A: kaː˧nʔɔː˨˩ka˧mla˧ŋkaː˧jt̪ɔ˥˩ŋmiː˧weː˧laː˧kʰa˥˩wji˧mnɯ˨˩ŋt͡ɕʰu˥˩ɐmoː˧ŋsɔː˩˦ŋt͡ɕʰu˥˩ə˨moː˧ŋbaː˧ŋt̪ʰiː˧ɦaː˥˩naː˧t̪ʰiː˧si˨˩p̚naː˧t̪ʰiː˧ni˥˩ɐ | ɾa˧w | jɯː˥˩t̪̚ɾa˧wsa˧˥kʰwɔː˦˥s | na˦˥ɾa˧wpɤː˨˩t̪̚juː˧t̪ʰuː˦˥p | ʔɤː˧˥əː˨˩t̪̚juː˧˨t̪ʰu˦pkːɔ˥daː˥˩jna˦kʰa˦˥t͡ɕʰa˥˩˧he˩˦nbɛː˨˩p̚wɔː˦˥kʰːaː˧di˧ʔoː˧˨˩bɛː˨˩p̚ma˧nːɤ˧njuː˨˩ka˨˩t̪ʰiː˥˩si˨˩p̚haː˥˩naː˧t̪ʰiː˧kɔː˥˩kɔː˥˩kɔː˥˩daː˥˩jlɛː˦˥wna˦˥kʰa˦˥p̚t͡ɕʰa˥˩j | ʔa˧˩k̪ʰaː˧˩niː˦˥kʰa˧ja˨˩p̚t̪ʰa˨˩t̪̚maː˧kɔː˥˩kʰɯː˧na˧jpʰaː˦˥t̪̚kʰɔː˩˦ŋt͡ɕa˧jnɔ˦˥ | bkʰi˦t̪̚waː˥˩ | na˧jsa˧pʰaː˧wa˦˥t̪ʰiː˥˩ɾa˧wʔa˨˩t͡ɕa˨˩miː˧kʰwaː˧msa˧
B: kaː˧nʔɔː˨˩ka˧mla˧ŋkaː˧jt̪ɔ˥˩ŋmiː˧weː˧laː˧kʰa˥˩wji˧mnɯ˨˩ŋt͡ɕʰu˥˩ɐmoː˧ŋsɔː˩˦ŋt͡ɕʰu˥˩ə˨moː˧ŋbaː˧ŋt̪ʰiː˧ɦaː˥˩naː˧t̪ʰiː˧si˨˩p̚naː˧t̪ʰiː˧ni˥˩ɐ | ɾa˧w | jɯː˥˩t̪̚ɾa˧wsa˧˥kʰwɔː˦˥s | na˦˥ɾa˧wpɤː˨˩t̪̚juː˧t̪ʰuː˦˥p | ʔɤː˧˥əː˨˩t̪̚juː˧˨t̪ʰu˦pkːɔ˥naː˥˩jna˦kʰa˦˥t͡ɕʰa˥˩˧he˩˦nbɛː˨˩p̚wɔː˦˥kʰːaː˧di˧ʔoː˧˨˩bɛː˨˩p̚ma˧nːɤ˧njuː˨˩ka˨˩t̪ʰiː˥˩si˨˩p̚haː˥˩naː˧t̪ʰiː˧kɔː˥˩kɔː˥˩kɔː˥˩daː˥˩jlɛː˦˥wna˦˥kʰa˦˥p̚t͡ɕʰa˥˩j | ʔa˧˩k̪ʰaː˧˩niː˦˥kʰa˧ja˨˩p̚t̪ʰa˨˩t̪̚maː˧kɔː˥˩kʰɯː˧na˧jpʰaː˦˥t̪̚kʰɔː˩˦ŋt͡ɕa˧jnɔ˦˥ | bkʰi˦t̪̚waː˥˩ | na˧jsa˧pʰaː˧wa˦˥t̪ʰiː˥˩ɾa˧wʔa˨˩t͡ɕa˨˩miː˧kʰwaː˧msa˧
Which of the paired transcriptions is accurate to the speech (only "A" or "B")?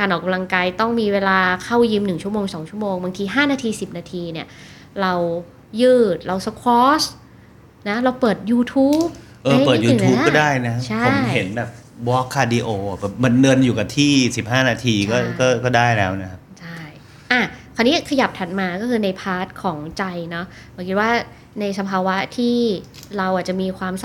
A